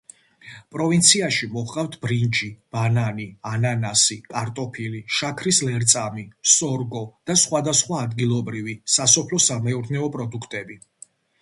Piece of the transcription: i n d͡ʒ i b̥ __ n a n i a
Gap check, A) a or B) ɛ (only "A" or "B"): A